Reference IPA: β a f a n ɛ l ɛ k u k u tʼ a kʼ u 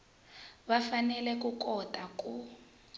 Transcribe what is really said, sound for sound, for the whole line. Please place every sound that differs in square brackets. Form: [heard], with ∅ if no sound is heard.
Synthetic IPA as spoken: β a f a n ɛ l ɛ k u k [ɔ] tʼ a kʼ u